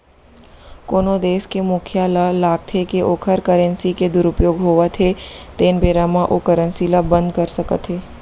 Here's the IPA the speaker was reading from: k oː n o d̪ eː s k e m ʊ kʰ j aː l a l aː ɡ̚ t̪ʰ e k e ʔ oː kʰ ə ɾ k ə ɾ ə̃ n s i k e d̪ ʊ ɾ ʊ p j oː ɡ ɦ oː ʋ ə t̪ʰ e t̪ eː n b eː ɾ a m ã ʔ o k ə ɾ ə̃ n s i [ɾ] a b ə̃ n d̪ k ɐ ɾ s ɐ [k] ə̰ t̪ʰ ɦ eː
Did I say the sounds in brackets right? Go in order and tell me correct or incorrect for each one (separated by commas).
incorrect, correct